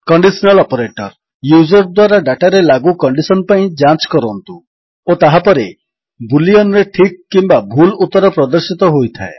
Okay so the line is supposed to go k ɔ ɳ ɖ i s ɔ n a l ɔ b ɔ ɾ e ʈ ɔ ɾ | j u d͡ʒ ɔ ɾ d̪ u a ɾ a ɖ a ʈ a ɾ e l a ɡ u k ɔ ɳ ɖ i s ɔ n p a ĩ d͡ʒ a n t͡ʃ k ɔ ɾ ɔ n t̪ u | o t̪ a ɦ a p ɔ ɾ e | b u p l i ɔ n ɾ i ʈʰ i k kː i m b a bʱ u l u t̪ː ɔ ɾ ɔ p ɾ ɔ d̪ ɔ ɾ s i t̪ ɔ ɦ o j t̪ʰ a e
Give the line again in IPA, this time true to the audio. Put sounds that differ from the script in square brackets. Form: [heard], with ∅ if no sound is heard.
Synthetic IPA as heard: k ɔ ɳ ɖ i s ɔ n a l ɔ [p] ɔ ɾ e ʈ ɔ ɾ | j u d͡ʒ ɔ ɾ d̪ [w] a ɾ a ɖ a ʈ a ɾ e l a ɡ u k ɔ ɳ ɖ i s ɔ n p a ĩ d͡ʒ a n t͡ʃ k ɔ ɾ ɔ n t̪ u | o t̪ a ɦ a p ɔ ɾ e | b u [∅] l i ɔ n ɾ [e] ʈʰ i k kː i m b a bʱ u l u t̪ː ɔ ɾ ɔ p ɾ ɔ d̪ ɔ ɾ s i t̪ ɔ ɦ o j t̪ʰ a e